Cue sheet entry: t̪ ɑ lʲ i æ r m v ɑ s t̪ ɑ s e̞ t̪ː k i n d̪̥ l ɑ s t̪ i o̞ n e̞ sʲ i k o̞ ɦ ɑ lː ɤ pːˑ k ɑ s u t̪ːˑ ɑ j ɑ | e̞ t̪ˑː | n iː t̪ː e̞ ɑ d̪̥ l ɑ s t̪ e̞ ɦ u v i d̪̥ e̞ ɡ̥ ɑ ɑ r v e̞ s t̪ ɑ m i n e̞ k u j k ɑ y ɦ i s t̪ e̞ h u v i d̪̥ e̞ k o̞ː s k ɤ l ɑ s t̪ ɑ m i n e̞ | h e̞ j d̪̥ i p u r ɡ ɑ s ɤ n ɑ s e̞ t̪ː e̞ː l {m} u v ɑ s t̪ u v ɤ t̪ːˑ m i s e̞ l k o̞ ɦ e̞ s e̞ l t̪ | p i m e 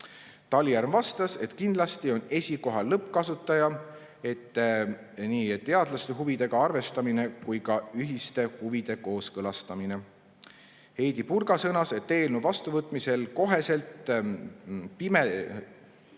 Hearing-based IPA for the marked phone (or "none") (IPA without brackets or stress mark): n